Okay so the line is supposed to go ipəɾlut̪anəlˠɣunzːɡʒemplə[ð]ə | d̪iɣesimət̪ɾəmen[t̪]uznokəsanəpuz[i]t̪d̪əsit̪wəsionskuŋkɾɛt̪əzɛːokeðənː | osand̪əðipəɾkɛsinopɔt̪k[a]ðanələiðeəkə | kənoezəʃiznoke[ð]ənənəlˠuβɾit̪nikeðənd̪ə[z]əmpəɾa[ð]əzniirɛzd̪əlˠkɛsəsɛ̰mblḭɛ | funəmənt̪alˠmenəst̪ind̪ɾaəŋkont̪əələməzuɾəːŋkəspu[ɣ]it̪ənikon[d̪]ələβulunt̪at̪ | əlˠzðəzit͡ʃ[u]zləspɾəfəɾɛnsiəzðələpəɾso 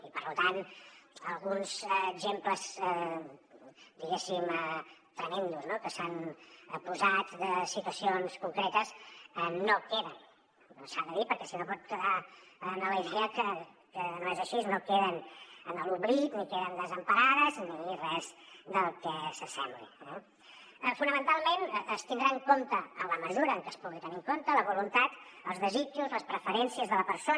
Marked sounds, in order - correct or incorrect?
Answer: incorrect: z, incorrect: d̪, incorrect: a, incorrect: ə, correct, correct, correct, correct, incorrect: t̪, correct

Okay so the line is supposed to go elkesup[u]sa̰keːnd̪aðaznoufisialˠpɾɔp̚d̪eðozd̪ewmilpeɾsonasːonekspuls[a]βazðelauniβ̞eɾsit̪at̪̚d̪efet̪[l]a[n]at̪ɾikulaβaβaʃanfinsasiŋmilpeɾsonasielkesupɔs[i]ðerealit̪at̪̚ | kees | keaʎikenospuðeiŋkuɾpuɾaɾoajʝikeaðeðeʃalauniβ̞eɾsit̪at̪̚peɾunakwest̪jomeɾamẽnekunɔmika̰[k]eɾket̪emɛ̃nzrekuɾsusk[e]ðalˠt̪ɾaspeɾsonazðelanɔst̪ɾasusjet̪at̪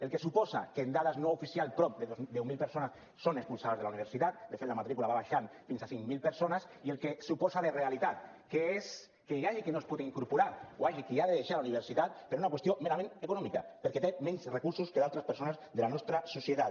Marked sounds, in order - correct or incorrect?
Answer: incorrect: ɔ, correct, correct, incorrect: m, incorrect: a, incorrect: p, correct

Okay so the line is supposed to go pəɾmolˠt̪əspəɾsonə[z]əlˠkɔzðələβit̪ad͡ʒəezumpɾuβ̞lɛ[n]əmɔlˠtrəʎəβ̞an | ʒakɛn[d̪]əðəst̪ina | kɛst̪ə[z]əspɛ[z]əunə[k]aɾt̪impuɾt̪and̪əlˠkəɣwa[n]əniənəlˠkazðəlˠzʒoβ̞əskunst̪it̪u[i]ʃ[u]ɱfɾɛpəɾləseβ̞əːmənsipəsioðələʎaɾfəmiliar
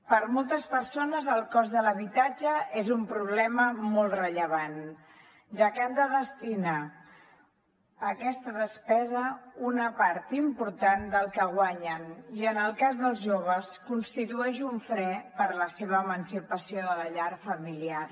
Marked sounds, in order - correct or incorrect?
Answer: correct, incorrect: m, correct, incorrect: ð, correct, incorrect: p, incorrect: ɲ, incorrect: ɛ, correct

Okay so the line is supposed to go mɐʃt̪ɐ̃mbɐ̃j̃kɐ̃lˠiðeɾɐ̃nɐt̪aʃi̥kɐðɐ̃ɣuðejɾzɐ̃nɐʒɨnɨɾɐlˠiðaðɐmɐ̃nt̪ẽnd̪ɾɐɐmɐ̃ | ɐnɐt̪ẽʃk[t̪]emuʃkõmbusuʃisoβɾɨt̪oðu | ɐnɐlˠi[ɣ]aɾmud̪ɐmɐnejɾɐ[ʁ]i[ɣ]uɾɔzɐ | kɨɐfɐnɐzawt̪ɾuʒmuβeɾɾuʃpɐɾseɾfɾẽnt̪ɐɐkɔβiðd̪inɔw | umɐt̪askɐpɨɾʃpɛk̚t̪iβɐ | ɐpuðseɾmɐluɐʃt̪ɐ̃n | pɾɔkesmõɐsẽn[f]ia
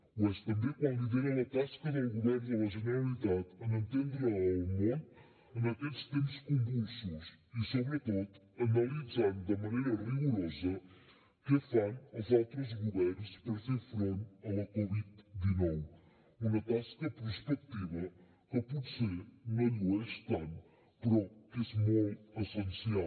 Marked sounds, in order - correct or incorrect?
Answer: correct, incorrect: z, correct, correct, incorrect: s

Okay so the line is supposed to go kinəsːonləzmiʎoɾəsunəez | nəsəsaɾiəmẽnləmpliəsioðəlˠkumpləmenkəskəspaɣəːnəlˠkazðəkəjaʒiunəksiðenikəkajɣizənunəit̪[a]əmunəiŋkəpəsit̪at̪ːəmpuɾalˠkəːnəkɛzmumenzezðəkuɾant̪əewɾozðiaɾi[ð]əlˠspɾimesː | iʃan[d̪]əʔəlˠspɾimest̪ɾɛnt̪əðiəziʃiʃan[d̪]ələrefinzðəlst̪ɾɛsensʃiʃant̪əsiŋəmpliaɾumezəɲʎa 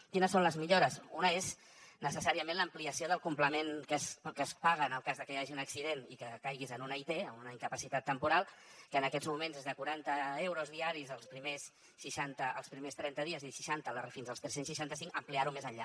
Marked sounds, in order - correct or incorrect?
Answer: incorrect: e, incorrect: z, incorrect: t̪, incorrect: t̪

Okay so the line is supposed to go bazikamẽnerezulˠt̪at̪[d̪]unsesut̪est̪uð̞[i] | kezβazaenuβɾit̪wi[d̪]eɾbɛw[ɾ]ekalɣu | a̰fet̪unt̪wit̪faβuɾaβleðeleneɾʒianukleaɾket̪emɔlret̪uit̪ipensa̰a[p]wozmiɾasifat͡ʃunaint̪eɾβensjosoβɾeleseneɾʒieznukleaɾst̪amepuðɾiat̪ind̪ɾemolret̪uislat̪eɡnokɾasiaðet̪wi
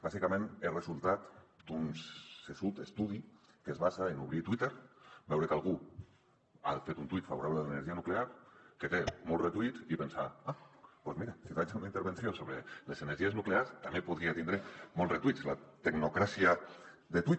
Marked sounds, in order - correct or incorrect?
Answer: correct, correct, incorrect: t̪, correct, correct

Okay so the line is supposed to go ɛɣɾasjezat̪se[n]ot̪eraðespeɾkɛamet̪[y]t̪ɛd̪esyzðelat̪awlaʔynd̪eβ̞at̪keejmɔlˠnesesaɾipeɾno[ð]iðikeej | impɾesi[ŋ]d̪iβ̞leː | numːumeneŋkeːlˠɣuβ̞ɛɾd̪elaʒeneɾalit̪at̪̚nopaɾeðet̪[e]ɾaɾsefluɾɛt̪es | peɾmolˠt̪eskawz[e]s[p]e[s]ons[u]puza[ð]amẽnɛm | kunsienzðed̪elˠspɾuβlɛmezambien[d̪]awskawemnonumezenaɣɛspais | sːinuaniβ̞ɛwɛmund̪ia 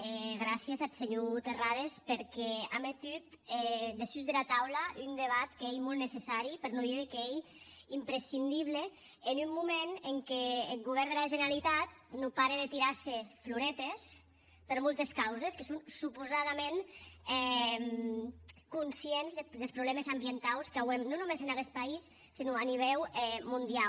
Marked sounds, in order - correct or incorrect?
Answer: incorrect: ɲ, correct, correct, incorrect: n, incorrect: i, correct, incorrect: k, correct, correct, correct, incorrect: t̪

